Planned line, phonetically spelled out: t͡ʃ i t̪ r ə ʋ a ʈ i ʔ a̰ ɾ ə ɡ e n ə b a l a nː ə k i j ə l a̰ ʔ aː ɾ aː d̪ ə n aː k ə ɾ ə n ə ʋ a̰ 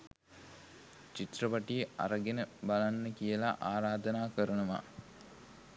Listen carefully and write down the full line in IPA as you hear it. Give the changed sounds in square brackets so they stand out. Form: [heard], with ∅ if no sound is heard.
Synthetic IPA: t͡ʃ i t̪ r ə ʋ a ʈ i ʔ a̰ ɾ ə ɡ e n ə b a l a nː ə k i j ə l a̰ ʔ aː ɾ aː d̪ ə n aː k ə ɾ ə n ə ʋ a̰